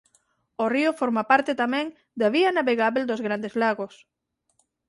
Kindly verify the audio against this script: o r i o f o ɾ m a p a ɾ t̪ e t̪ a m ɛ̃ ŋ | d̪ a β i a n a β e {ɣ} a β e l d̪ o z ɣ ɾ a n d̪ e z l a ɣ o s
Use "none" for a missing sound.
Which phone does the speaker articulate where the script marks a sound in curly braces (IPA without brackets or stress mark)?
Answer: ɣ